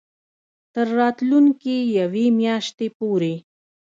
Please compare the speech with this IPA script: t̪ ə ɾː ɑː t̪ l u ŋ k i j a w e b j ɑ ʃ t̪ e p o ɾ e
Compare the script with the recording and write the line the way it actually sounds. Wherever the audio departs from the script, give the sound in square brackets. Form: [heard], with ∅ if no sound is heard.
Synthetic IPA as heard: t̪ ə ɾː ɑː t̪ l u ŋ k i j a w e [m] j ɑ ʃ t̪ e p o ɾ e

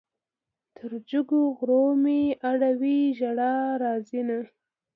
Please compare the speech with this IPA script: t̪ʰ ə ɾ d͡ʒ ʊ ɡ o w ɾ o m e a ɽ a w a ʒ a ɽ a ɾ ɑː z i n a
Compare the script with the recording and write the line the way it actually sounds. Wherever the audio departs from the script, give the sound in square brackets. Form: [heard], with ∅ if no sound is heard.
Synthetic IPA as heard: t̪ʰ ə ɾ d͡ʒ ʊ ɡ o [ɣ] ɾ o m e a ɽ a w [i] ʒ a ɽ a ɾ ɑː z i n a

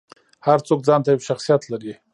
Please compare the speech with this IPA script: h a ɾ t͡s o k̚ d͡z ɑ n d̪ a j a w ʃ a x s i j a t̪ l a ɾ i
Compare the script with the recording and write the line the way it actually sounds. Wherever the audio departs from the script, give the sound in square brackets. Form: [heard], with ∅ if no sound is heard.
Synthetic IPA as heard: h a ɾ t͡s o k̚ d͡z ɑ n [t̪] a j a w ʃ a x s i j a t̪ l a ɾ i

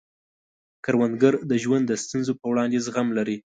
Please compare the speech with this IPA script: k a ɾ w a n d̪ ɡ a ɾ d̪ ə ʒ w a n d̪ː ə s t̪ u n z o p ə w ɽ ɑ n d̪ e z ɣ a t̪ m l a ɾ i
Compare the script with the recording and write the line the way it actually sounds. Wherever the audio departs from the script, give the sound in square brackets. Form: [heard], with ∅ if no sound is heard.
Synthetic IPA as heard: k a ɾ w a n d̪ ɡ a ɾ d̪ ə ʒ w a n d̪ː ə s t̪ u n z o p ə w ɽ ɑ n d̪ e z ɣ a [∅] m l a ɾ i

